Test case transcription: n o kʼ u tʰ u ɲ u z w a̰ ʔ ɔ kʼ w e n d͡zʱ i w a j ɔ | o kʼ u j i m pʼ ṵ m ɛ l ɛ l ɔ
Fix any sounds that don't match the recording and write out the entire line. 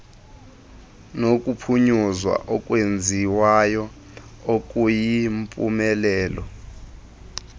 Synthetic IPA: n o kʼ u pʰ u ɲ u z w a̰ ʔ ɔ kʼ w e n d͡zʱ i w a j ɔ | o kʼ u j i m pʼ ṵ m ɛ l ɛː l ɔ